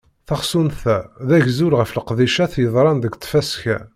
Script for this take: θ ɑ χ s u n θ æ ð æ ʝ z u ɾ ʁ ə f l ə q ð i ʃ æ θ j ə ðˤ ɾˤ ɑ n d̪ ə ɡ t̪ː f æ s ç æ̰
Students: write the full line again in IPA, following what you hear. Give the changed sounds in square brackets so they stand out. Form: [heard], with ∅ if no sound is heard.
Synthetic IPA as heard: θ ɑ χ s u n θ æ ð æ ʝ z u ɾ ʁ ə f l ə q ð i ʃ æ θ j ə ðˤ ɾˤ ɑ n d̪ ə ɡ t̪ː f æ s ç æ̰